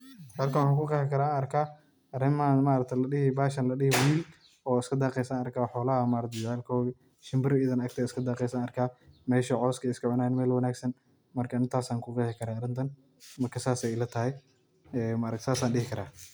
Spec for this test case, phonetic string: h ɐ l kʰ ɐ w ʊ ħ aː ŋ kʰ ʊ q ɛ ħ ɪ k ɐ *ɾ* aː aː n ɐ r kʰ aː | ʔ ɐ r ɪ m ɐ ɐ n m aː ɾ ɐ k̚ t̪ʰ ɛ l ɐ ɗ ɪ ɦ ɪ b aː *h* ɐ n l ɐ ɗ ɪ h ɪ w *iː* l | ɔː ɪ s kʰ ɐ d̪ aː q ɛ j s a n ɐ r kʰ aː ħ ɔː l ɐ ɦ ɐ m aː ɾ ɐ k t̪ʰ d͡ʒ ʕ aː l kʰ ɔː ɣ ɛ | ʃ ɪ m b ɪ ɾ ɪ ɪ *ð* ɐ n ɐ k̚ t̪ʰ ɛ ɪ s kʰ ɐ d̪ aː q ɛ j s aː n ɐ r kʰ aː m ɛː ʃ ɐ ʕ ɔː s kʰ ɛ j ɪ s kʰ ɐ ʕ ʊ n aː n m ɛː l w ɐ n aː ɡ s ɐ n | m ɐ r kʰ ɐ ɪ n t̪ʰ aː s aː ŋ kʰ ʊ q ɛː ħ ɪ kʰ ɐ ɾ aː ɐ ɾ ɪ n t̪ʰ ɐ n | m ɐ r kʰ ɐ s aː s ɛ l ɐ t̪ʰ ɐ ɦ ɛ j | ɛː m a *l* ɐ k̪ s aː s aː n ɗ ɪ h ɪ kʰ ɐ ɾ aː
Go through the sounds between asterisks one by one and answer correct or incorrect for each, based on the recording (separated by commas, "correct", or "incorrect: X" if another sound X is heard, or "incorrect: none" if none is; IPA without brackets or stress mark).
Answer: correct, incorrect: ʃ, correct, correct, incorrect: ɾ